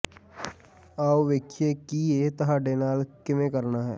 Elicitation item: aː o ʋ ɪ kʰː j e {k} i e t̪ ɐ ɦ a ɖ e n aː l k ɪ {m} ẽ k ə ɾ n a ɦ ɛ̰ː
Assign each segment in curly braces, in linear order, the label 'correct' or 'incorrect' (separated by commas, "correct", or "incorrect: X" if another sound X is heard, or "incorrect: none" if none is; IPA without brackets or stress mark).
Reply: correct, correct